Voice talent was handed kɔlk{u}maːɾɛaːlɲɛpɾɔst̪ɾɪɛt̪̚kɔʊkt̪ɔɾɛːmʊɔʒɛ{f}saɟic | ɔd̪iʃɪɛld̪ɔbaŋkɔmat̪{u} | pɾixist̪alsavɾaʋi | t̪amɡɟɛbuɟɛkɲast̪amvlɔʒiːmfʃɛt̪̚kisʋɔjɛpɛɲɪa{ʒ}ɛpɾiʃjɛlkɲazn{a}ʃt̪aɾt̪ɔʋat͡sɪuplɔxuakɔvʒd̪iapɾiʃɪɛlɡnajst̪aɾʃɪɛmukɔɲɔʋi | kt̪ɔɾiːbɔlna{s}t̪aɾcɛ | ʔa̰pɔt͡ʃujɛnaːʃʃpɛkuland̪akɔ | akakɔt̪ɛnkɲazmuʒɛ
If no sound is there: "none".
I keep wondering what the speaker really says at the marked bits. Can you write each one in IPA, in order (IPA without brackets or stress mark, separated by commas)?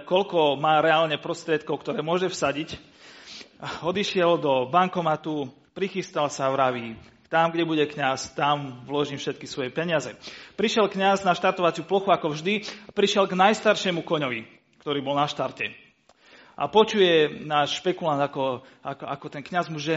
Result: ɔ, f, u, z, a, ʃ